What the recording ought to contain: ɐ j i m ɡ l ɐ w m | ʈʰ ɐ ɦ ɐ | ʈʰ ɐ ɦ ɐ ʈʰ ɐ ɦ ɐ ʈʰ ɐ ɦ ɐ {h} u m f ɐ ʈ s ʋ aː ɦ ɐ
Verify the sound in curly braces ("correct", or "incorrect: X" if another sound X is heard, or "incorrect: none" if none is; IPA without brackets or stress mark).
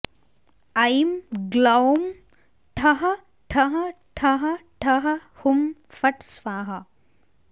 correct